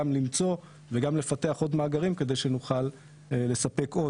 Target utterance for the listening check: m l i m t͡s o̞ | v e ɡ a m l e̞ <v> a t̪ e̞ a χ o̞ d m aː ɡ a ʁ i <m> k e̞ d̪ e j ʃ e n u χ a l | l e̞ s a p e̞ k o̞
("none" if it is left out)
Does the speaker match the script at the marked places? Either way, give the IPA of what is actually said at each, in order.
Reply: f, m

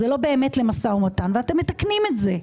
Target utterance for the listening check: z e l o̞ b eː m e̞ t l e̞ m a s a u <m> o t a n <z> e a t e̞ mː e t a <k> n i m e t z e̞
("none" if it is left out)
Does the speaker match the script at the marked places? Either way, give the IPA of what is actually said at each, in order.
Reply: m, v, k

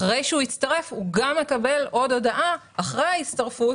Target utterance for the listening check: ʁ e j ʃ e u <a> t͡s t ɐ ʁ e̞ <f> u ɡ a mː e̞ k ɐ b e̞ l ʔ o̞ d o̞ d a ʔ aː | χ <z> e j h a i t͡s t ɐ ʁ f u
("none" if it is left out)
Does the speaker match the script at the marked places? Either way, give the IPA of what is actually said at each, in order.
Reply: i, f, ʁ

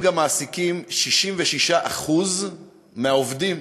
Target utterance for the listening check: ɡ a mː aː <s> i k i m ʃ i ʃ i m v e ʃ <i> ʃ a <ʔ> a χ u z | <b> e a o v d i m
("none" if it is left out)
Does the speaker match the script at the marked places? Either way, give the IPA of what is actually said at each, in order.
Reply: s, i, ʔ, m

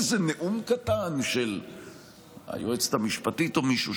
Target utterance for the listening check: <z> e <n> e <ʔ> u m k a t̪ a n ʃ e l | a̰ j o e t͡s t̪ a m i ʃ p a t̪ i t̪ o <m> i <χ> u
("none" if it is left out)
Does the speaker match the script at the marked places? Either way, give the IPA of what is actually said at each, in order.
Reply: z, n, ʔ, m, ʃ

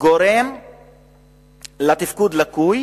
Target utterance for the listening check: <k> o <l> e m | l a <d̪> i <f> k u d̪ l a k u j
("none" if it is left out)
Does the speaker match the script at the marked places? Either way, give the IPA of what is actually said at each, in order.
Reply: ɡ, ɾ, t̪, f

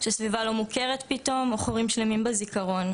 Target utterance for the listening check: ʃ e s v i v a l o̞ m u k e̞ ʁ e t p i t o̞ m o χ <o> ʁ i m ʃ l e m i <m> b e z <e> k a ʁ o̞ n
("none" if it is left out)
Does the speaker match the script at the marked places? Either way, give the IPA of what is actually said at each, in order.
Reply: o, m, i

